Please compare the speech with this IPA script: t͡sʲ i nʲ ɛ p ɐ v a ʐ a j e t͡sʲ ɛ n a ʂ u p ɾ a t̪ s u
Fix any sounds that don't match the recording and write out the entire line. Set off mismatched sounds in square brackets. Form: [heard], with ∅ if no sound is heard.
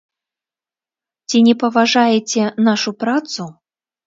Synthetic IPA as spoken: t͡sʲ i nʲ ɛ p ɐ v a ʐ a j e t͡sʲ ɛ n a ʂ u p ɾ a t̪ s u